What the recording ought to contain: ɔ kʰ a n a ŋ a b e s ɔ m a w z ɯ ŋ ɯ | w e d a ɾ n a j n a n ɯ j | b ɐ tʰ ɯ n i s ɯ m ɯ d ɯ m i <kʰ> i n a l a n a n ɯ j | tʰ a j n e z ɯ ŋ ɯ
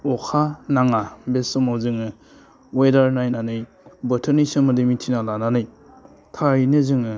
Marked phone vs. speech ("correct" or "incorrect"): incorrect